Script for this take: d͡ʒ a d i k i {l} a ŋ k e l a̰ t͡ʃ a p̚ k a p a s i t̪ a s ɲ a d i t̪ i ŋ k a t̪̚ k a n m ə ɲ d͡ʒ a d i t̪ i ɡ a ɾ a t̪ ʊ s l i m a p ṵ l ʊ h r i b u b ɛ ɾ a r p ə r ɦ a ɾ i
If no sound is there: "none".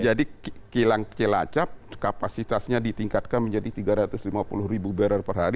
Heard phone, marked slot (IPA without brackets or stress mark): l